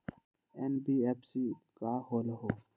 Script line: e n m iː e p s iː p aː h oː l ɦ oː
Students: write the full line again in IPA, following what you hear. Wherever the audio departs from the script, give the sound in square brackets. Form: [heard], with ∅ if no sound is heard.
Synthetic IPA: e n [b] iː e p s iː [k] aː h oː l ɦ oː